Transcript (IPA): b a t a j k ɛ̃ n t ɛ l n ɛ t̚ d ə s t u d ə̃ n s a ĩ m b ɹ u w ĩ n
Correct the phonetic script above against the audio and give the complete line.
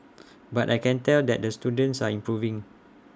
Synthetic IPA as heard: b a t a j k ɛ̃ n t ɛ l d ɛ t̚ d ə s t u d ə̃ n s a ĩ m p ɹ u v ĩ ŋ